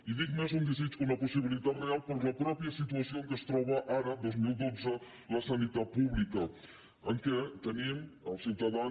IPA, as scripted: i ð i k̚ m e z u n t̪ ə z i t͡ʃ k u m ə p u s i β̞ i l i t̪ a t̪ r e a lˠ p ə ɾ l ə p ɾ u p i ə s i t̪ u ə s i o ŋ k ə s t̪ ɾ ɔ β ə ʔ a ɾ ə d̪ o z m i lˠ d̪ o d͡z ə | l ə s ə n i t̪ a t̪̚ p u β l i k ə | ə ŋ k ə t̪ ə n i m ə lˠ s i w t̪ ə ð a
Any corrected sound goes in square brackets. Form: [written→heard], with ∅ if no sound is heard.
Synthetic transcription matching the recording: i ð i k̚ m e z u n [t̪→d̪] ə z i t͡ʃ k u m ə p u s i β̞ i l i t̪ a t̪ r e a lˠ p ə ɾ l ə p ɾ [u→ɔ] p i ə s i t̪ u ə s i o ŋ k ə s t̪ ɾ ɔ β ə ʔ a ɾ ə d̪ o z m i lˠ d̪ o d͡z ə | l ə s ə n i t̪ a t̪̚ p u β l i k ə | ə ŋ k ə t̪ ə n i m ə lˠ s i w t̪ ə ð a